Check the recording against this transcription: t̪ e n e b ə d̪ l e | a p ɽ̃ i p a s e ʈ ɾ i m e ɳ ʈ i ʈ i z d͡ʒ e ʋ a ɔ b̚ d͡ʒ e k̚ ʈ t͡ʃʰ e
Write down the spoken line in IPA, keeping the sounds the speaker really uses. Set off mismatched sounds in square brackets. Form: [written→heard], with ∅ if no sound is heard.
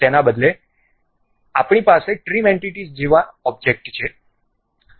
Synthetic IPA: t̪ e n [e→a] b ə d̪ l e | a p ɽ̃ i p a s e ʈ ɾ i m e ɳ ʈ i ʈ i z d͡ʒ e ʋ a ɔ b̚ d͡ʒ e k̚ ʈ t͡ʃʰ e